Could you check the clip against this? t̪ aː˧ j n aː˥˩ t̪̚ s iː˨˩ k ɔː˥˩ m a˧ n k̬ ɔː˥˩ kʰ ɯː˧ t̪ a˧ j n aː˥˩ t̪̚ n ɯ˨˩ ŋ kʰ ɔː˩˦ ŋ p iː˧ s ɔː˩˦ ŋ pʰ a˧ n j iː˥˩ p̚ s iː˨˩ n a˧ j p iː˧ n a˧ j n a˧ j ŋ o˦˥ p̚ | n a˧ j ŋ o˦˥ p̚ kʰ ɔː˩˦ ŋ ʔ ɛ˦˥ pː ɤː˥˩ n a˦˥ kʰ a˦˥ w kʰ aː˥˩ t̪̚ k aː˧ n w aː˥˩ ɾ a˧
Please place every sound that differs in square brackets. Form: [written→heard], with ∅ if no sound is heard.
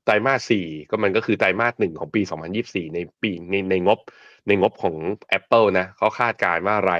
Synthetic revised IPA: t̪ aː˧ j [n→m] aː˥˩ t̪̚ s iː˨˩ k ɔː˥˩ m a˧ n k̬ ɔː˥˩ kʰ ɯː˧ t̪ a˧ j [n→m] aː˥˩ t̪̚ n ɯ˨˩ ŋ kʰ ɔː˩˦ ŋ p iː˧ s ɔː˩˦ ŋ pʰ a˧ n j iː˥˩ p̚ s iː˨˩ n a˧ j p iː˧ n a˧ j n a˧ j ŋ o˦˥ p̚ | n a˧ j ŋ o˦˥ p̚ kʰ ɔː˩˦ ŋ ʔ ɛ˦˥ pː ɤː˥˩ n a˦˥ kʰ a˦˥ w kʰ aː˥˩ t̪̚ k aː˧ n w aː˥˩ ɾ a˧